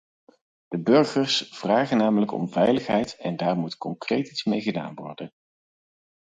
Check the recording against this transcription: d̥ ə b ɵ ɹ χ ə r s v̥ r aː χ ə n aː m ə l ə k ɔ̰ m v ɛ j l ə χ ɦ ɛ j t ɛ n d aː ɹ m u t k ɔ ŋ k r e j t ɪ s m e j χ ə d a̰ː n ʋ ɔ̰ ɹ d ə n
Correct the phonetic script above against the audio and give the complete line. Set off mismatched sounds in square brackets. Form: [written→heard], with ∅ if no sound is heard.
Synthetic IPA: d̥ ə b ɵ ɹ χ ə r s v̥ r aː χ ə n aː m ə l ə k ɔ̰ m v ɛ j l ə χ ɦ ɛ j t ɛ n d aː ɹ m u t k ɔ ŋ k r e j t [ɪ→i] s m e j χ ə d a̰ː n ʋ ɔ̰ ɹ d ə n